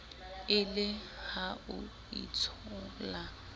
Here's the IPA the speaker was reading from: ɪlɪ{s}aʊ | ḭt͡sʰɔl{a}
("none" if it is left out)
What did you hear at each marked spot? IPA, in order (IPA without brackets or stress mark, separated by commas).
h, a